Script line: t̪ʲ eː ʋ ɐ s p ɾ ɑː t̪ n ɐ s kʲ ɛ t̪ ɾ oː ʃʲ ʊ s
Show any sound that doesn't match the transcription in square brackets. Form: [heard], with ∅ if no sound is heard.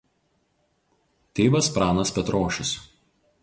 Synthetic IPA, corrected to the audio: t̪ʲ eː ʋ ɐ s p ɾ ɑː [∅] n ɐ s [pʲ] ɛ t̪ ɾ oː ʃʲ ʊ s